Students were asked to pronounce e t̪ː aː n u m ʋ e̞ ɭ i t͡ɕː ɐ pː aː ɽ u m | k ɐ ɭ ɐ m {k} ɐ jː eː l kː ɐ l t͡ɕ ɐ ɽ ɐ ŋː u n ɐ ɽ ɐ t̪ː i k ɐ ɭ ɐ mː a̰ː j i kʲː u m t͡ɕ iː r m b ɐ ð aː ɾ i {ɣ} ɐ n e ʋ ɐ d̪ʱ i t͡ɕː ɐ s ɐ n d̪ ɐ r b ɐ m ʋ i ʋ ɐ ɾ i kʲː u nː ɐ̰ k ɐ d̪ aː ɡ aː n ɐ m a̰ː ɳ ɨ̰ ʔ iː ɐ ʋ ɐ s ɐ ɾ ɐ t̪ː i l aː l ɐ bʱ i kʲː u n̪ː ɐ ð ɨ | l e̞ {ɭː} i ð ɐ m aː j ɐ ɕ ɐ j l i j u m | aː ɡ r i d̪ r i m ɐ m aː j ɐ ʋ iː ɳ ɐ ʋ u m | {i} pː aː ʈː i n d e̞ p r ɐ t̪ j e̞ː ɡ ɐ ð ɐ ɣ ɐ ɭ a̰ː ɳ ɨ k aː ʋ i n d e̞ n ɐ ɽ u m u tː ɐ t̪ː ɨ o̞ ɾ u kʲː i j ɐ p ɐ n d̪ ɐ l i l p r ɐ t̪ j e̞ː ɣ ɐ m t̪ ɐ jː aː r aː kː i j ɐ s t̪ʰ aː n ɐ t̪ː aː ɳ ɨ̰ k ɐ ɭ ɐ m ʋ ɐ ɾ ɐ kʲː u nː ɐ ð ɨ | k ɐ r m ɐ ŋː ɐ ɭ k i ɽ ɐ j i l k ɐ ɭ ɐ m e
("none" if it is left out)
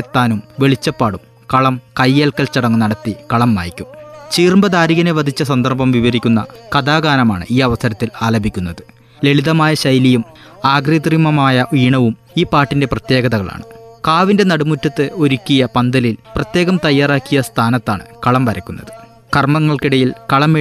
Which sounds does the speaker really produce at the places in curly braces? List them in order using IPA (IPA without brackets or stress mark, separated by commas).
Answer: k, ɣ, ɭ, iː